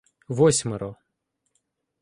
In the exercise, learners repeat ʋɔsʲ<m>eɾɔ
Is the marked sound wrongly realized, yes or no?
no